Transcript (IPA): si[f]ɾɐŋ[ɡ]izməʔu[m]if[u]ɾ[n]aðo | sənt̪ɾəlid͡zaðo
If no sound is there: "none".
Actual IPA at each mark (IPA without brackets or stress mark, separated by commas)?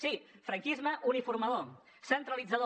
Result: f, k, n, u, m